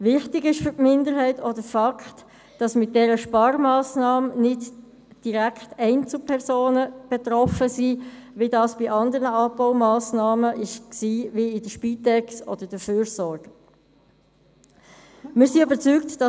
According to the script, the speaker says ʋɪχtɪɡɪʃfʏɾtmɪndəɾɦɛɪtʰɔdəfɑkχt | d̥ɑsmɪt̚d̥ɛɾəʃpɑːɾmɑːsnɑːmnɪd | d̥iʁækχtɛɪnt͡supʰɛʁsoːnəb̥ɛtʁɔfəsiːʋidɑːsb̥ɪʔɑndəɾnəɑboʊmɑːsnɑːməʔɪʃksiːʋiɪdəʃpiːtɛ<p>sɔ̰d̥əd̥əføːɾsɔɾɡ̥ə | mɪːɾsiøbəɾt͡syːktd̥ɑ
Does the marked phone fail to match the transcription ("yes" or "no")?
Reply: yes